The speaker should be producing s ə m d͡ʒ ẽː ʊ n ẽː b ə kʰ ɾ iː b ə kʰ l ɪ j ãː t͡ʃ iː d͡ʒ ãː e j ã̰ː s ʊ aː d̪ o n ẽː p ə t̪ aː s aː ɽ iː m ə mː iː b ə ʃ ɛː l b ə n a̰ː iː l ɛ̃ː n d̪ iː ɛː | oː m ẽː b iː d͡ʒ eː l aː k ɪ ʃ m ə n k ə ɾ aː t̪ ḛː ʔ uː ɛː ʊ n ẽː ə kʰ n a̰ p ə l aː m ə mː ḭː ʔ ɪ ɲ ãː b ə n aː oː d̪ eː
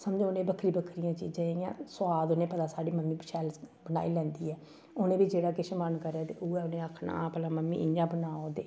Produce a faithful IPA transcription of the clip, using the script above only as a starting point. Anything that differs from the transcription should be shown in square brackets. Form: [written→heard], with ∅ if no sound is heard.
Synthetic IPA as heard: s ə m d͡ʒ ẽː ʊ n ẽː b ə kʰ ɾ iː b ə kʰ [l→ɾ] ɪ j ãː t͡ʃ iː d͡ʒ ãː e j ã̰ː s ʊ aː d̪ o n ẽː p ə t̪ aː s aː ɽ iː m ə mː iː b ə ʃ ɛː l b ə n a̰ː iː l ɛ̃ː n d̪ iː ɛː | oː [m→n] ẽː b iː d͡ʒ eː [l→ɽ] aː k ɪ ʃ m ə n k ə ɾ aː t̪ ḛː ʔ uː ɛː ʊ n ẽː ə kʰ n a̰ p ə l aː m ə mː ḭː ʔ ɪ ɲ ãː b ə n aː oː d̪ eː